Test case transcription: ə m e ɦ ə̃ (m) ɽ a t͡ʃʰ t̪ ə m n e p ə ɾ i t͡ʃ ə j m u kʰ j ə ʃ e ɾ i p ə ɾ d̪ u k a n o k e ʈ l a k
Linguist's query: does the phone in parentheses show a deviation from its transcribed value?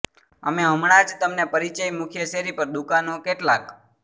no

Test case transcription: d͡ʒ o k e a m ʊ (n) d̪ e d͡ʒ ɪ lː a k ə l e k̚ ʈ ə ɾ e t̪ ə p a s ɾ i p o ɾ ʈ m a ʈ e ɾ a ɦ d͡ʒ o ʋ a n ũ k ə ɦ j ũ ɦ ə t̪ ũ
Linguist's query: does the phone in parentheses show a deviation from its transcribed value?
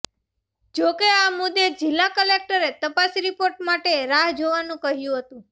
yes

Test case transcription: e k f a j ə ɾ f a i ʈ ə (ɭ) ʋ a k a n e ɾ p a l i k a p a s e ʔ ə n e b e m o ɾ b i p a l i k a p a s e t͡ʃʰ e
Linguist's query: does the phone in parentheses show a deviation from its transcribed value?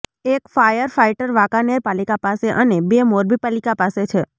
yes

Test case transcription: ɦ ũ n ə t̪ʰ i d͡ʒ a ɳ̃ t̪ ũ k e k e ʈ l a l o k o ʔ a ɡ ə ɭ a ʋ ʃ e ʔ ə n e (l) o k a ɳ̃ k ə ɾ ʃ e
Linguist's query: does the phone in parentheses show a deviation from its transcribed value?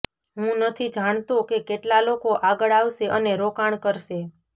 yes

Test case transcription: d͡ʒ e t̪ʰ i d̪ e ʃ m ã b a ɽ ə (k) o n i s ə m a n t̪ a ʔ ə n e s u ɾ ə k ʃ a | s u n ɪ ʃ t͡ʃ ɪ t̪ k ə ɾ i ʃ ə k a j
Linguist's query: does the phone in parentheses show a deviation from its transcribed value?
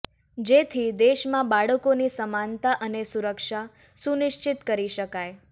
no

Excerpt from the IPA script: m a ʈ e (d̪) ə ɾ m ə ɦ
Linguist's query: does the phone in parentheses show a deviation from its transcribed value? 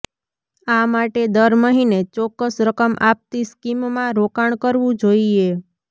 no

